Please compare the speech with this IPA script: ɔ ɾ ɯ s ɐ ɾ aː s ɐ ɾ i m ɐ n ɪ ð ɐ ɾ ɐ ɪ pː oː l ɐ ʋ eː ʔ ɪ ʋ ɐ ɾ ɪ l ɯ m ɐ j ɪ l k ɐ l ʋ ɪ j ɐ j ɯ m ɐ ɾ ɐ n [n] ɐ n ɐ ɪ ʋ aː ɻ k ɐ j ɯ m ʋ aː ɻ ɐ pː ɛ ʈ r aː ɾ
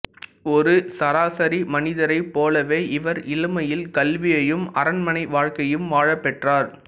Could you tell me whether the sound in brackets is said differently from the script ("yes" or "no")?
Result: yes